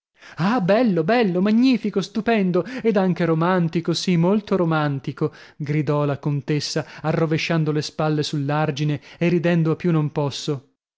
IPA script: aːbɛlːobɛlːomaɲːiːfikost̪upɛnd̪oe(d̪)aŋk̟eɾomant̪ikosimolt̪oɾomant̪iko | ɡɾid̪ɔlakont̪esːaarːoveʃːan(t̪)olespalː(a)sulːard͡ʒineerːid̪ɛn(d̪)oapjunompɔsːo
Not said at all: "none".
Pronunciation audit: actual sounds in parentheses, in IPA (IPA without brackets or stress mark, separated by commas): d̪, d̪, e, d̪